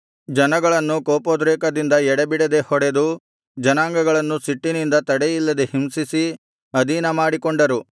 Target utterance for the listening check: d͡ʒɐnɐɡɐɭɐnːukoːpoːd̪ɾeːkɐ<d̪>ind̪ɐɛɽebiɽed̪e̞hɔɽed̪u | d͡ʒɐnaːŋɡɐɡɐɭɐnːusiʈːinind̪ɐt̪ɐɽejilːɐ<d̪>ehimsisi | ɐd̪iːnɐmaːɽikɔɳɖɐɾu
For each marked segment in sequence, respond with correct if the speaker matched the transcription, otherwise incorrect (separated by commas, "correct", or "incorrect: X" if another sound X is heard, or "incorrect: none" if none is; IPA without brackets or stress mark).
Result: correct, correct